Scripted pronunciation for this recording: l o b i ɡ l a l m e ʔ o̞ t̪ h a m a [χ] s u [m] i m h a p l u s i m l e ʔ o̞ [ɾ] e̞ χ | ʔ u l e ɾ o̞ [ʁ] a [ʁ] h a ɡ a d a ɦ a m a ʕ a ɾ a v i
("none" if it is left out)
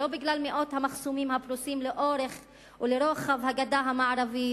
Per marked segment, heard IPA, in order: χ, m, ɾ, χ, v

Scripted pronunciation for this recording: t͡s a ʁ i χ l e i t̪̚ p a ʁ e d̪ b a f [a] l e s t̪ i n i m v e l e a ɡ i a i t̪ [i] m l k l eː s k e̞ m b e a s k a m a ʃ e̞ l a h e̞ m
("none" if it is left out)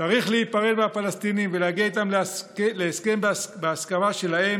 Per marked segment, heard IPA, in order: a, a

